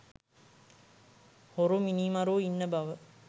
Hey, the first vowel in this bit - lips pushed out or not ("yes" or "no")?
yes